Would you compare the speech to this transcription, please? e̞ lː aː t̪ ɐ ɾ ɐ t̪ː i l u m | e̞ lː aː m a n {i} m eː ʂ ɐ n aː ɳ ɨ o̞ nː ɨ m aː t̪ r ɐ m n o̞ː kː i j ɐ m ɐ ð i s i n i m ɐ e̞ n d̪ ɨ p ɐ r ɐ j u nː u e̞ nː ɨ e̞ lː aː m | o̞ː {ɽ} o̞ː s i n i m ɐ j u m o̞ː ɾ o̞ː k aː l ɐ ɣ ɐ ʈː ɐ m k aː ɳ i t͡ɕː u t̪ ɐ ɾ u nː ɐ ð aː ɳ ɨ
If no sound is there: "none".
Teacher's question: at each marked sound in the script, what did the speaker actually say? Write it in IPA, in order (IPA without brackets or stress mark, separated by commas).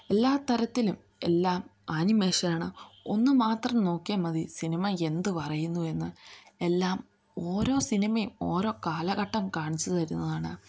i, ɾ